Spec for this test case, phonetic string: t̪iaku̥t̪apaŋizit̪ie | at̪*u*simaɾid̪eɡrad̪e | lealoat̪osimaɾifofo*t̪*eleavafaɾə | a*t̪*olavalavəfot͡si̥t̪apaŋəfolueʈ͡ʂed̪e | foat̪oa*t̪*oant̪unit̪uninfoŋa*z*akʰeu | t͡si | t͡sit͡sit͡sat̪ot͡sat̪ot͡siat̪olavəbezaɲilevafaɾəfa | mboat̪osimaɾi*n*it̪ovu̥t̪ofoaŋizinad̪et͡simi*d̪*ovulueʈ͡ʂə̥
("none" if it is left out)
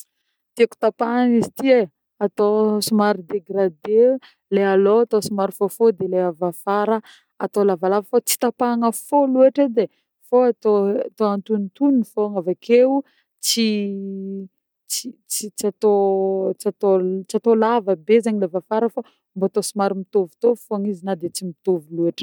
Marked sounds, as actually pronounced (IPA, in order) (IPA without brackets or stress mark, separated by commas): o, d̪, t̪, t̪, v, m, t̪